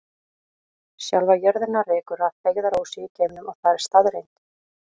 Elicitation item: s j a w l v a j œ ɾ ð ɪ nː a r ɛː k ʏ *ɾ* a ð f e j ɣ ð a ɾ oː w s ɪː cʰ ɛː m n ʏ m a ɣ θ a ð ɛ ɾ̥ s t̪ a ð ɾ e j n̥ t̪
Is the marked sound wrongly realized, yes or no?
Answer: no